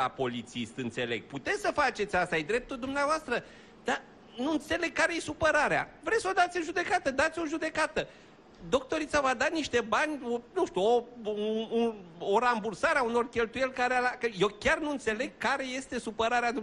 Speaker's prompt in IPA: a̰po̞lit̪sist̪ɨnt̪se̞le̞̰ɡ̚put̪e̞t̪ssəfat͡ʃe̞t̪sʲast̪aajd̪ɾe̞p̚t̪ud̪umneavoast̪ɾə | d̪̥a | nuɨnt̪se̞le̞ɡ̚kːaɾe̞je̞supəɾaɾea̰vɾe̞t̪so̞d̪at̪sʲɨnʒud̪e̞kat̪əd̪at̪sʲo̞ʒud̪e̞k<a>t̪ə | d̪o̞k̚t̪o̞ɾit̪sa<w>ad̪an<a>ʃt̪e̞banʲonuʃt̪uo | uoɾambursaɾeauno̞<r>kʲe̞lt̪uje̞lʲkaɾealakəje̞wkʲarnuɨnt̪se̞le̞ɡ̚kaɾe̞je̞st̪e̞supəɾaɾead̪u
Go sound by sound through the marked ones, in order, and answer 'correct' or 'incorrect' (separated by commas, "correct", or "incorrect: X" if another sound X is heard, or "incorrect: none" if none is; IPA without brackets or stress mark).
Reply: correct, incorrect: v, incorrect: i, correct